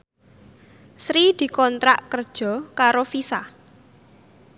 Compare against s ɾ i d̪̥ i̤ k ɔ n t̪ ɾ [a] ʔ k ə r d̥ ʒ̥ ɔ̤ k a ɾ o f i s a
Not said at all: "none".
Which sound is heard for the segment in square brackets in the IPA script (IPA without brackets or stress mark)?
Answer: a